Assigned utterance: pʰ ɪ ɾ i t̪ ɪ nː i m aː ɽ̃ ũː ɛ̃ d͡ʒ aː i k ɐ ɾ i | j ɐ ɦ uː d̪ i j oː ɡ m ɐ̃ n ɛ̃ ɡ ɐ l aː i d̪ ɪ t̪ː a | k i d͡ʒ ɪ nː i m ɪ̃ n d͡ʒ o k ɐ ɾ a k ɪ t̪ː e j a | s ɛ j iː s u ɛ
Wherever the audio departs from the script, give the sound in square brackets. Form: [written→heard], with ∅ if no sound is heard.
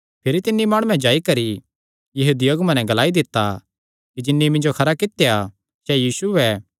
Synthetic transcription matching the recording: pʰ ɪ ɾ i t̪ ɪ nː i m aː ɽ̃ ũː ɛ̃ d͡ʒ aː i k ɐ ɾ i | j ɐ ɦ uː d̪ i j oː ɡ m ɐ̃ n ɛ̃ ɡ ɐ l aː i d̪ ɪ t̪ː a | k i d͡ʒ ɪ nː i m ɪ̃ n d͡ʒ o [k→kʰ] ɐ ɾ a k ɪ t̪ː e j a | s ɛ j iː s u ɛ